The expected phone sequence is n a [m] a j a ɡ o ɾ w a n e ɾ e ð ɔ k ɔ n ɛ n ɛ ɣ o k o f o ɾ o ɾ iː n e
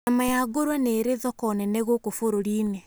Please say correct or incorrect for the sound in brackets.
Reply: correct